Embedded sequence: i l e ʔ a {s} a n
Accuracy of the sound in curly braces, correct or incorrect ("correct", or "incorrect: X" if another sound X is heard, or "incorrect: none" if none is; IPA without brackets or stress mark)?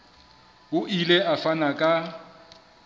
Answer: incorrect: f